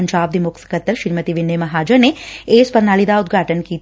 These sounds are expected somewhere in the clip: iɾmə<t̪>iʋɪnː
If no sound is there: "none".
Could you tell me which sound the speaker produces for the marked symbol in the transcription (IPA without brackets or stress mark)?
t̪